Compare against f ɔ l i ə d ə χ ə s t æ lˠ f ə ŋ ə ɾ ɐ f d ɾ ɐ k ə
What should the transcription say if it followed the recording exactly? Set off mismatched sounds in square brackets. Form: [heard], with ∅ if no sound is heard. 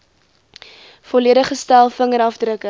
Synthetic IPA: f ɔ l i ə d ə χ ə s t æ lˠ f ə ŋ ə ɾ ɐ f d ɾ [ə] k ə